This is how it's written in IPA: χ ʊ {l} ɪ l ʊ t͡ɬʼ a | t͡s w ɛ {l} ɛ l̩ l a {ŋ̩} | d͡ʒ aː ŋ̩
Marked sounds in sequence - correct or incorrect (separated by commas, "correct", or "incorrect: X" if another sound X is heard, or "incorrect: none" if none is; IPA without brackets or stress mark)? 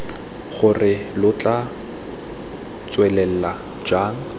incorrect: r, correct, incorrect: none